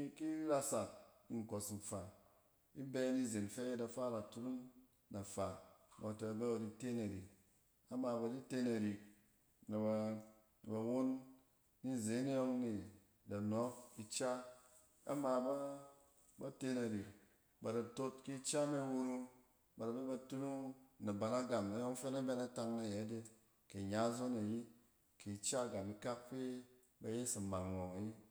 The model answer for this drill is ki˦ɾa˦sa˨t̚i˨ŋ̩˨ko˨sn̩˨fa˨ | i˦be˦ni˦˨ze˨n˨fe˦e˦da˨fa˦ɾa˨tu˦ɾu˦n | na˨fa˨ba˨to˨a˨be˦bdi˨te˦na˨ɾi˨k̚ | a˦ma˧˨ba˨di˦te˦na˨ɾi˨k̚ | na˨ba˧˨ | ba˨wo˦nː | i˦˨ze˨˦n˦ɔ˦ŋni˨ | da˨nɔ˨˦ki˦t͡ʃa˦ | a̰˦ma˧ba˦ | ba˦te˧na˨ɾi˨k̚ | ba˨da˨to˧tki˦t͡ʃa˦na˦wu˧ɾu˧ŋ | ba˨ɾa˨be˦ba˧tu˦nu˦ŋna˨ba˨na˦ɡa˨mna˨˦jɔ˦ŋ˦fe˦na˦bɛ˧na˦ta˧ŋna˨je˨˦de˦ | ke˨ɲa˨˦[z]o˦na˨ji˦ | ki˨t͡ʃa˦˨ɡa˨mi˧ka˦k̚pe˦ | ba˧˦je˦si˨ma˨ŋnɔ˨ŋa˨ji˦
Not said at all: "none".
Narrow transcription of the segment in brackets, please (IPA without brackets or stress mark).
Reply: z